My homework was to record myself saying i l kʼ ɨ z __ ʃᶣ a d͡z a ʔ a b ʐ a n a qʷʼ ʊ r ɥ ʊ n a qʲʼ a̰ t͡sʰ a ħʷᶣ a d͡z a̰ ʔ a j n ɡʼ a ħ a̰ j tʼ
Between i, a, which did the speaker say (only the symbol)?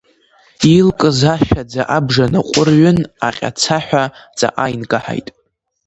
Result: a